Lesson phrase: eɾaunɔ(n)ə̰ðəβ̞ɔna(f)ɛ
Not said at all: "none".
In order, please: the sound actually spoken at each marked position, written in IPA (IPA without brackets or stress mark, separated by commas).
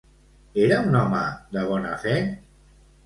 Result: m, f